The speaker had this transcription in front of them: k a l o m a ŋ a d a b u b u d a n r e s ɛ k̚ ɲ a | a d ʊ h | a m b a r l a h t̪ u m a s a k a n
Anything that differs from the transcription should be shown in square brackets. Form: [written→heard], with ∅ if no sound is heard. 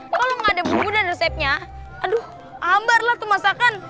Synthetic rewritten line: k a l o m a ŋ a d a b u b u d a n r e s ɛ [k̚→p̚] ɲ a | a d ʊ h | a m b a r l a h t̪ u m a s a k a n